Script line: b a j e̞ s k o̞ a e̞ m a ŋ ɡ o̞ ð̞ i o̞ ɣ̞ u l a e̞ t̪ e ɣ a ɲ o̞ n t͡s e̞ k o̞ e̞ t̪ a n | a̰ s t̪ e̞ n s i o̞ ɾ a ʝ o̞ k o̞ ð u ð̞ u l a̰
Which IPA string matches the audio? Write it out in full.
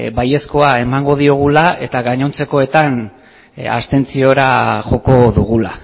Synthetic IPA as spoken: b a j e̞ s k o̞ a e̞ m a ŋ ɡ o̞ ð̞ i o̞ ɣ̞ u l a e̞ t̪ a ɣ a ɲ o̞ n t͡s e̞ k o̞ e̞ t̪ a n | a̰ s t̪ e̞ n t͡s i o̞ ɾ a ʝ o̞ k o̞ ð u ɣ̞ u l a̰